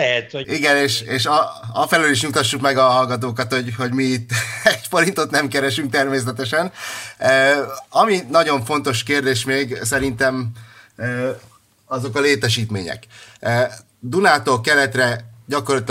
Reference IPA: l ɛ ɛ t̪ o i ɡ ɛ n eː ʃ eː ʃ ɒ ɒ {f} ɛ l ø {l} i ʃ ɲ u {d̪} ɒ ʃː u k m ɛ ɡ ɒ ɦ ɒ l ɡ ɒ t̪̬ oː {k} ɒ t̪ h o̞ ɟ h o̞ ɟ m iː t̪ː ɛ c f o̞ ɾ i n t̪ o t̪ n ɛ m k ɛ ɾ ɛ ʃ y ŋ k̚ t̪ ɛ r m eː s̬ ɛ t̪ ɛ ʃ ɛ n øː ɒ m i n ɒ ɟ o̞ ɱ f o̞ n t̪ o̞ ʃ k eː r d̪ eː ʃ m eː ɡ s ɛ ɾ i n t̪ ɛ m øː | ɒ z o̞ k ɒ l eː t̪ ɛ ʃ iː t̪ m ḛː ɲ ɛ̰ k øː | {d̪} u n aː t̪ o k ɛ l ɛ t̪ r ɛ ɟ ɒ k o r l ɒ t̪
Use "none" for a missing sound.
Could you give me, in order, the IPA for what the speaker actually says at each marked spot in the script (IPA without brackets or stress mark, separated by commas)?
f, l, t̪, k, d̪